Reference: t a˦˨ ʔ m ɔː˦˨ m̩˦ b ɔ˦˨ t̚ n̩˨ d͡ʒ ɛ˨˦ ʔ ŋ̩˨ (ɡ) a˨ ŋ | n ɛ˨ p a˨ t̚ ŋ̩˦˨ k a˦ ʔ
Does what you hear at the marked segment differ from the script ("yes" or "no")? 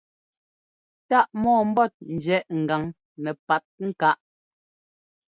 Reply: no